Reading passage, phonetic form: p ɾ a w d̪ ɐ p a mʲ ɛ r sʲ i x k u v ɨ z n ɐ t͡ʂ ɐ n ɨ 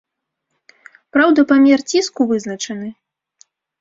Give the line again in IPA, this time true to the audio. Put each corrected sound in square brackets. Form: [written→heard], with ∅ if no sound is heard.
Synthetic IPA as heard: p ɾ a w d̪ ɐ p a mʲ ɛ r [sʲ→t͡sʲ] i [x→s] k u v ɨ z n ɐ t͡ʂ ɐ n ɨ